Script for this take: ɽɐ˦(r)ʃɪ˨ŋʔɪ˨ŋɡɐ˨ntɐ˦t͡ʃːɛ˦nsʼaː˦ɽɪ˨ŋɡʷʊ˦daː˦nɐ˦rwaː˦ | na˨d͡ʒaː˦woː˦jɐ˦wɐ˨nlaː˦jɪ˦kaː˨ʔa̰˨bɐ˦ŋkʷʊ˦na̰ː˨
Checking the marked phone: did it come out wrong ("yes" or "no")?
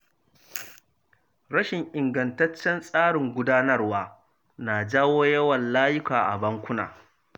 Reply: yes